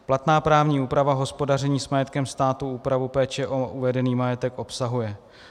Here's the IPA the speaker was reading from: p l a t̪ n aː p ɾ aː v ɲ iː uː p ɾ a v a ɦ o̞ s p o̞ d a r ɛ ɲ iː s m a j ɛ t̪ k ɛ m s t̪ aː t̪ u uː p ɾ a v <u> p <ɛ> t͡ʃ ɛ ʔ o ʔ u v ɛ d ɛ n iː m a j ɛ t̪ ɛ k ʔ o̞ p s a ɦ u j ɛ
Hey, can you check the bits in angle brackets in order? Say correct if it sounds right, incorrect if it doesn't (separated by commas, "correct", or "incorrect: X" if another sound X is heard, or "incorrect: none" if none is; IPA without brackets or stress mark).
correct, incorrect: ɛː